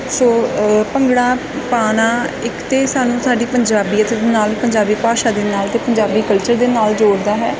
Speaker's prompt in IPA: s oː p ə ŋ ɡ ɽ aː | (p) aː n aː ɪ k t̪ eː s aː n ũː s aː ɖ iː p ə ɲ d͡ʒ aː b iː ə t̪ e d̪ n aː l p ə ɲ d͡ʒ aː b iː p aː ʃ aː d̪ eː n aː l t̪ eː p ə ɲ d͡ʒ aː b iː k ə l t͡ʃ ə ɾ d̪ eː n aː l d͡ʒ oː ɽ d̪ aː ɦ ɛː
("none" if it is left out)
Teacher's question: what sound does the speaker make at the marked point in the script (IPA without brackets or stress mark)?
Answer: p